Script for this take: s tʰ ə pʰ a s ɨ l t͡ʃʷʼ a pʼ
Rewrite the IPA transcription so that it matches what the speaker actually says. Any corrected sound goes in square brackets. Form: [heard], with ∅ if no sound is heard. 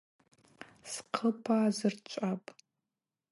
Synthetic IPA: s [qʰ] ə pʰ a [z] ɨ [r] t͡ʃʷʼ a pʼ